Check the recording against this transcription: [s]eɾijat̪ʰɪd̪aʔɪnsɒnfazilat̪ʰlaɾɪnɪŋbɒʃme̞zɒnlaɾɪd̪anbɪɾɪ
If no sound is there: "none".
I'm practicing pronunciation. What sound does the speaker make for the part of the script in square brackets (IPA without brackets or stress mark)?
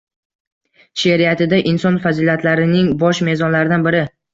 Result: ʃ